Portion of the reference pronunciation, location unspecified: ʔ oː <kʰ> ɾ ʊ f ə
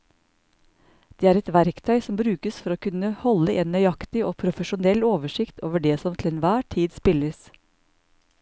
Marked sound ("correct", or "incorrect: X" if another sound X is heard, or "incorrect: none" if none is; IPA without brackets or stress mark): incorrect: pʰ